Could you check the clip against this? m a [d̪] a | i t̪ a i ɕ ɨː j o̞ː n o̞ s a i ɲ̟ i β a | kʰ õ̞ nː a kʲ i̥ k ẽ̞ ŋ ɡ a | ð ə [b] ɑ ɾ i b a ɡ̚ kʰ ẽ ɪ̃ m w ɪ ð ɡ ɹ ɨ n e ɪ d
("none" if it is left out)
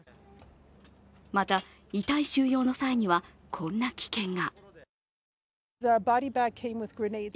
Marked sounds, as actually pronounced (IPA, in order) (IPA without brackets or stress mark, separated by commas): t̪, b